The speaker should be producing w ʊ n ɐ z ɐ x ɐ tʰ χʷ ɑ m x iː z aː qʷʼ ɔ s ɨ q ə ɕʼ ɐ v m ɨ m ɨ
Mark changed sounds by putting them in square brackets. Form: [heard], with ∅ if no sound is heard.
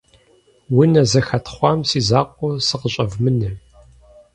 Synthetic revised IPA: w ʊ n ɐ z ɐ x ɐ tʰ χʷ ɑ m [s] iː z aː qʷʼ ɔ s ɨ q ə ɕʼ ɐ v m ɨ [n] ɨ

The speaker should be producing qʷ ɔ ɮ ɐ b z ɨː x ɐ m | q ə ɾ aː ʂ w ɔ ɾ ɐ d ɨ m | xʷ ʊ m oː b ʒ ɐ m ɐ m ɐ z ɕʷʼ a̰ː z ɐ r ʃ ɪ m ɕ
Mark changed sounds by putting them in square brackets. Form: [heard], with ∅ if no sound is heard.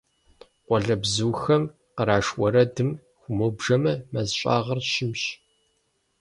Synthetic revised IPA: qʷ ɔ ɮ ɐ b z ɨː x ɐ m | q ə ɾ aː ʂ w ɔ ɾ ɐ d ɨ m | xʷ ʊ m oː b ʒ ɐ m ɐ m ɐ z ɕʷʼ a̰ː [ʁ] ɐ r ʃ ɪ m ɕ

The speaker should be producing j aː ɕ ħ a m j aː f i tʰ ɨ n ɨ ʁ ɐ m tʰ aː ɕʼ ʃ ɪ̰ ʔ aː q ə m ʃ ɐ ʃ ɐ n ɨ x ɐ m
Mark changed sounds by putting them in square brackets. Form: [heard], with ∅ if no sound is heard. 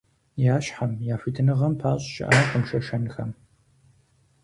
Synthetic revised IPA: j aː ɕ ħ a m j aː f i tʰ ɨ n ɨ ʁ ɐ m [pʰ] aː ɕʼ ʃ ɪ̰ ʔ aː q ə m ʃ ɐ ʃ ɐ n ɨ x ɐ m

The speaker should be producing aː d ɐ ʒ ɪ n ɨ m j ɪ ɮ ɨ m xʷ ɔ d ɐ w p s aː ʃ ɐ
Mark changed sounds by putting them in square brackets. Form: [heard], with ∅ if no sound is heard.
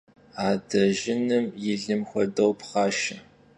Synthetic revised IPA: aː d ɐ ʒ ɪ n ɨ m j ɪ ɮ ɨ m xʷ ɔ d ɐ w p [χ] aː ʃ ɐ

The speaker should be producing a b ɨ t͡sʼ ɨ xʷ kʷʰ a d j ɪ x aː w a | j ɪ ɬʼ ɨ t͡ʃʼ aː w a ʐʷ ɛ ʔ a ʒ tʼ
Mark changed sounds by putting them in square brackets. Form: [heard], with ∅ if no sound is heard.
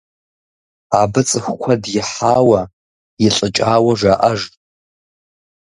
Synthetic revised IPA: a b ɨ t͡sʼ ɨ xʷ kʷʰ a d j ɪ [ħ] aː w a | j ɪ ɬʼ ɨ t͡ʃʼ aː w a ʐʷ [a] ʔ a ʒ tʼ

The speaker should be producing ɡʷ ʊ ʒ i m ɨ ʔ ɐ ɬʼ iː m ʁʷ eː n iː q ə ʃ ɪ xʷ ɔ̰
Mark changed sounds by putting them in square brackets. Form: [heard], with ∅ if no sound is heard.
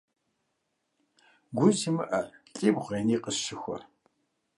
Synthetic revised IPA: ɡʷ ʊ [z] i m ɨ ʔ ɐ ɬʼ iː [b] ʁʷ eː n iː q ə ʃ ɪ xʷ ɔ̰

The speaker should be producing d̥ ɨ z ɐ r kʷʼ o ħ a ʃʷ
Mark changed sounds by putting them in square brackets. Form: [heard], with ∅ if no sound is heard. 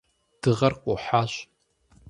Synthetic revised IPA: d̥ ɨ [ʁ] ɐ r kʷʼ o ħ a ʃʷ

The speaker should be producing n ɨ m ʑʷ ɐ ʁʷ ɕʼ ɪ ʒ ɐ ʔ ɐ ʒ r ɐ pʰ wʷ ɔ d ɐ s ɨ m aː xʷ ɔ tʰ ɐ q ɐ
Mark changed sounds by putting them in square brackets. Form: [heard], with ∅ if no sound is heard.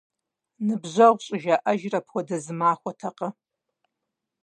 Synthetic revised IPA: n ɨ [b] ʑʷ ɐ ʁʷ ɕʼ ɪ ʒ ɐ ʔ ɐ ʒ r ɐ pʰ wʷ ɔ d ɐ [z] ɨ m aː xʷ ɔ tʰ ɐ q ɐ

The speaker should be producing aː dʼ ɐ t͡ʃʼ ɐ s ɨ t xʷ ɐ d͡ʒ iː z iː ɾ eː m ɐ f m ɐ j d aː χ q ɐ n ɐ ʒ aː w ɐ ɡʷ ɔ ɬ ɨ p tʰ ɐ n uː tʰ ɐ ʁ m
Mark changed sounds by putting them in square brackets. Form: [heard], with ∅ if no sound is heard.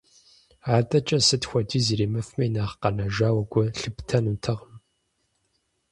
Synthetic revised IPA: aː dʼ ɐ t͡ʃʼ ɐ s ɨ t xʷ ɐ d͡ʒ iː z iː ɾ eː m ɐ f m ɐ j [n] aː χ q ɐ n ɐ ʒ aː w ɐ ɡʷ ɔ ɬ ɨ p tʰ ɐ n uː tʰ ɐ ʁ m

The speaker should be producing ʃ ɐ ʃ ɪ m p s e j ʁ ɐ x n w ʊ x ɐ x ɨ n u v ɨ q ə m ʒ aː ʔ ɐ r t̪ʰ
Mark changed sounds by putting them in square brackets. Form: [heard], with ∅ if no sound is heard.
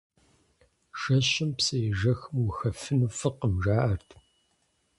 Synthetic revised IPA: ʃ ɐ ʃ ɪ m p s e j [ʒ] ɐ x [m] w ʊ x ɐ [f] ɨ n u [f] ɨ q ə m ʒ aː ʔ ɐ r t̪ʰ

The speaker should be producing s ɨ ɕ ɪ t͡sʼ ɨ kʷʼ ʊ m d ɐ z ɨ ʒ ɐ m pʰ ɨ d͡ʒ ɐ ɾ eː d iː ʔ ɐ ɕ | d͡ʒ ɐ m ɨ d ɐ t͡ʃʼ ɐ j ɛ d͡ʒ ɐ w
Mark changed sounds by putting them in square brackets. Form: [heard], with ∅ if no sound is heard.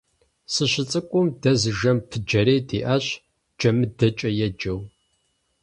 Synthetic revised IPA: s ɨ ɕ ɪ t͡sʼ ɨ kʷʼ ʊ m d ɐ z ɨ ʒ ɐ m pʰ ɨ d͡ʒ ɐ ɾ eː d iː ʔ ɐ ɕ | d͡ʒ ɐ m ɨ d ɐ t͡ʃʼ ɐ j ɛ d͡ʒ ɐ w

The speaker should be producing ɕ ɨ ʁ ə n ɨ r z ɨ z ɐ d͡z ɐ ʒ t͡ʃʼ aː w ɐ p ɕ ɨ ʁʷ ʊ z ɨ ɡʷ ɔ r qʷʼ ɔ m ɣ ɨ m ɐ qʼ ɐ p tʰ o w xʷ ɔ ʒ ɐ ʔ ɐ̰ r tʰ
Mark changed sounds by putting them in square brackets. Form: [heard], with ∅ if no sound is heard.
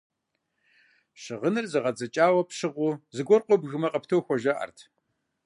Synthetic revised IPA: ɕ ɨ ʁ ə n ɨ r z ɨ [ʁ] ɐ d͡z ɐ [∅] t͡ʃʼ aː w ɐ p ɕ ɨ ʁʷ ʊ z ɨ ɡʷ ɔ r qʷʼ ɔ [b] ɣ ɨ m ɐ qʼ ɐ p tʰ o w xʷ ɔ ʒ ɐ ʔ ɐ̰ r tʰ

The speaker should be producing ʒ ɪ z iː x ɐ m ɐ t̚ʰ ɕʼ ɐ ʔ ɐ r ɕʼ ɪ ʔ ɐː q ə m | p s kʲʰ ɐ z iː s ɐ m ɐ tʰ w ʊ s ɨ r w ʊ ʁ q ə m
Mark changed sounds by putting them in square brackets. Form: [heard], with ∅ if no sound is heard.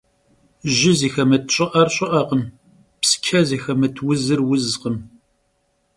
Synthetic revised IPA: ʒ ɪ z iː x ɐ m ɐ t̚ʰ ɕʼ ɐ ʔ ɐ r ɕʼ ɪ ʔ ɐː q ə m | p s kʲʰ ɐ z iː [x] ɐ m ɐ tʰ w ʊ [z] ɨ r w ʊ [z] q ə m

